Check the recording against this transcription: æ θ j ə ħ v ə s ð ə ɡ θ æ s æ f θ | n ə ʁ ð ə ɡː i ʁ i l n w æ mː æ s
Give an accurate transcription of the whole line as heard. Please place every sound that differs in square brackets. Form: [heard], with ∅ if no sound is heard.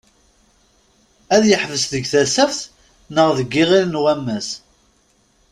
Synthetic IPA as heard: æ [ð] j ə ħ v ə s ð ə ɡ θ æ s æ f θ | n ə ʁ ð ə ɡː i ʁ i l n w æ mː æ s

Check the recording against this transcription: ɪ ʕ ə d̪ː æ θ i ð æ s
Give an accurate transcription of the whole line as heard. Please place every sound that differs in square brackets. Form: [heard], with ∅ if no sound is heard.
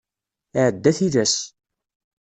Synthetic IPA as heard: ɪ ʕ ə d̪ː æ θ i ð æ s

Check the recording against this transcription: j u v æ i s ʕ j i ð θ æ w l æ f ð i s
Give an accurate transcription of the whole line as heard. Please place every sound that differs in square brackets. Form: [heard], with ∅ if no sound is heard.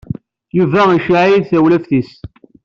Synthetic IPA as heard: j u v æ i [ʃ] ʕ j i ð θ æ w l æ f [θ] i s

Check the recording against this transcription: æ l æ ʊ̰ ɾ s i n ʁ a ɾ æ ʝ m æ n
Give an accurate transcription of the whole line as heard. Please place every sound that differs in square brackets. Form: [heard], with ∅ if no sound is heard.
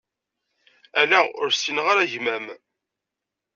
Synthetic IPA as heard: æ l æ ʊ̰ ɾ s i n ʁ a ɾ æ ʝ m æ [m]

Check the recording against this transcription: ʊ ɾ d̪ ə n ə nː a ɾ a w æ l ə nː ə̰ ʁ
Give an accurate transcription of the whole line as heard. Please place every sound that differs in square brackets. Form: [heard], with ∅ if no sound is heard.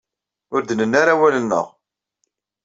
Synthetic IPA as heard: ʊ ɾ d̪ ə n ə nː a ɾ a w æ l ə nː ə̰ ʁ

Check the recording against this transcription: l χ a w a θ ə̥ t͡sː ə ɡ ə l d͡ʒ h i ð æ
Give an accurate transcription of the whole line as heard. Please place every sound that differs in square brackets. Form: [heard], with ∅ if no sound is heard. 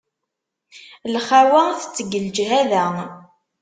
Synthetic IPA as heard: l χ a w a θ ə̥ t͡sː ə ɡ ə l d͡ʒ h [æ] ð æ

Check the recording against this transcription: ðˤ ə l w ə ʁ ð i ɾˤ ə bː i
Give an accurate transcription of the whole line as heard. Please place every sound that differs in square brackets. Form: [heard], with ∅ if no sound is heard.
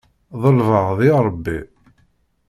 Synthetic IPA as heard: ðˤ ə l [v] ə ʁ ð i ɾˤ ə bː i

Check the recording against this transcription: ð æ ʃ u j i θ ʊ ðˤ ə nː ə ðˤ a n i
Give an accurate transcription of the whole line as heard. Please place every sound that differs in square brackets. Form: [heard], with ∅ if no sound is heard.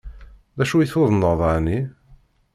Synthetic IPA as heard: ð æ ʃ u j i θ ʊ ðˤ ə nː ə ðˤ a n i

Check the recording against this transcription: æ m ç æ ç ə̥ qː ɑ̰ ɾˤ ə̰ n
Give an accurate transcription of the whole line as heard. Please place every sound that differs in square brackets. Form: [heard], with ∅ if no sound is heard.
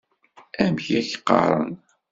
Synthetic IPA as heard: æ m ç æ ç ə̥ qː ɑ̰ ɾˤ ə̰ n

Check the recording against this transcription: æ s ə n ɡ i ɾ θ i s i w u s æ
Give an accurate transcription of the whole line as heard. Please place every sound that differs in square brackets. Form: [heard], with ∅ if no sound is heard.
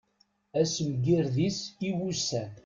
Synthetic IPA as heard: æ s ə [m] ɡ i ɾ [ð] i s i w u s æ

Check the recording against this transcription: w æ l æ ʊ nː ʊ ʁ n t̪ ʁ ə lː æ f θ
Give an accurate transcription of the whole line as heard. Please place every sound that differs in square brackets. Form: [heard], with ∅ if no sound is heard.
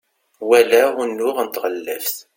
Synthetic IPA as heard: w æ l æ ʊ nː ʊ ʁ n t̪ ʁ ə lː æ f θ

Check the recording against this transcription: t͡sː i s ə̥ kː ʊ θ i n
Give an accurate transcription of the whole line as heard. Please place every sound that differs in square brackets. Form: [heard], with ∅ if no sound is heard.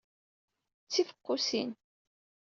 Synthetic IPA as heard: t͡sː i [f] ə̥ [qː] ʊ [s] i n

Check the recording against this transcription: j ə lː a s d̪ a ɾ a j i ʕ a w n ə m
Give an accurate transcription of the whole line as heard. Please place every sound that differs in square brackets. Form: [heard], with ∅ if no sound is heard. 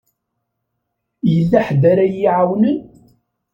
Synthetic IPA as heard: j ə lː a [ħ] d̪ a ɾ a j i ʕ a w n ə [n]

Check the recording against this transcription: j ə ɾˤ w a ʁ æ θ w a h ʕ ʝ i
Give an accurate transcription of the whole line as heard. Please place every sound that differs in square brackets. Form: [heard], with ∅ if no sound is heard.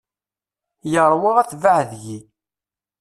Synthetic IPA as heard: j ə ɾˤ w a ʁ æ θ [v] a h [ð] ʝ i

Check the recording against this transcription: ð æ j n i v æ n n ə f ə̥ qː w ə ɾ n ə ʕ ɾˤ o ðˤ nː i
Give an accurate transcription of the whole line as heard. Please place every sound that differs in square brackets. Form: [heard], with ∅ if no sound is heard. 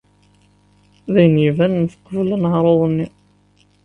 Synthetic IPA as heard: ð æ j n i v æ n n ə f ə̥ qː [v] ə [l] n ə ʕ ɾˤ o ðˤ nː i

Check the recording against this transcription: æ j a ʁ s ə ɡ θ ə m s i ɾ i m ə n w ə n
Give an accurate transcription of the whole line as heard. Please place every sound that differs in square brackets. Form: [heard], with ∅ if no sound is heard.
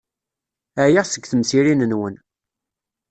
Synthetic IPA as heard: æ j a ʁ s ə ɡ θ ə m s i ɾ i [n] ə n w ə n

